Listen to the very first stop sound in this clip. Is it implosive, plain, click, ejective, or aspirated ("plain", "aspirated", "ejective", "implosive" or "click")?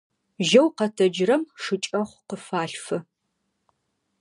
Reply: plain